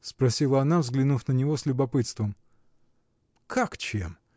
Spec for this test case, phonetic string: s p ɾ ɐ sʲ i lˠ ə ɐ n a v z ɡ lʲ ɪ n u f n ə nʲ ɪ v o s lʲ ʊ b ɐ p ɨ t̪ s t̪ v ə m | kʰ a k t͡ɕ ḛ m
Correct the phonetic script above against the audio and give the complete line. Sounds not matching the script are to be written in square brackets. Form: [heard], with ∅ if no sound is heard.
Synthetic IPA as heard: s p ɾ ɐ sʲ i lˠ ə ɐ n a v z ɡ lʲ ɪ n u f n ə nʲ ɪ v o s lʲ ʊ b ɐ p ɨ t̪ s t̪ v ə m | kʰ a k t͡ɕ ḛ m